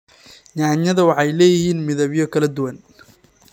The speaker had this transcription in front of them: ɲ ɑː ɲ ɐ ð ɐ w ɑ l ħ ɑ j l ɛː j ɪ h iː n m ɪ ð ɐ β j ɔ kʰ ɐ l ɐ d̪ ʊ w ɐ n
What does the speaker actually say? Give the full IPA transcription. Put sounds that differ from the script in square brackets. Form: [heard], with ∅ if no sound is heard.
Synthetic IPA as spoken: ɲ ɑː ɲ ɐ ð ɐ w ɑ [∅] ħ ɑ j l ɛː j ɪ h iː n m ɪ ð ɐ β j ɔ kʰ ɐ l ɐ d̪ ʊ w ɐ n